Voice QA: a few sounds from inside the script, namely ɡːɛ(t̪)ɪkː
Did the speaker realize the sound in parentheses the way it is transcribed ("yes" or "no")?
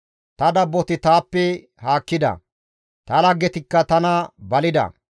yes